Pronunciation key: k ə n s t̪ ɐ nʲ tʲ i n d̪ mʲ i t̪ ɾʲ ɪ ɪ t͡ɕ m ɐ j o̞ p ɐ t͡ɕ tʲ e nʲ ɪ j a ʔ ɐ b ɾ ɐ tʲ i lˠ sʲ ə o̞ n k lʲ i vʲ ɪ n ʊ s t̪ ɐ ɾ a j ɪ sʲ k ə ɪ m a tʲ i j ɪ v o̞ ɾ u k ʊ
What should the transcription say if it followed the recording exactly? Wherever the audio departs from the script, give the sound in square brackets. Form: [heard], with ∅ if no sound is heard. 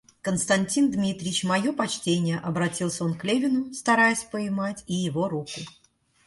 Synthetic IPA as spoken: k ə n s t̪ ɐ nʲ tʲ i n d̪ mʲ i t̪ ɾʲ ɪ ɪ t͡ɕ m ɐ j o̞ p ɐ t͡ɕ tʲ e nʲ ɪ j [ə] ʔ ɐ b ɾ ɐ tʲ i lˠ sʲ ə o̞ n k lʲ [e] vʲ ɪ n ʊ s t̪ ɐ ɾ a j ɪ sʲ [p] ə ɪ m a tʲ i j ɪ v o̞ ɾ u k ʊ